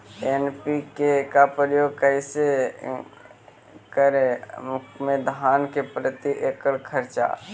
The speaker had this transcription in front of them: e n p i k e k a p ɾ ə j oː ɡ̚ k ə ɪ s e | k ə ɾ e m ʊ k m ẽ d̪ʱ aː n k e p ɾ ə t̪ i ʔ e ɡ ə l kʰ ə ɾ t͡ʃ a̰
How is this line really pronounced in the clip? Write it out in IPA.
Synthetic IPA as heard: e n p i k e k a p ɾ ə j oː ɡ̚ k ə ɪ s e | k ə ɾ e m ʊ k m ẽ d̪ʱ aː n k e p ɾ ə t̪ i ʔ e k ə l kʰ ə ɾ t͡ʃ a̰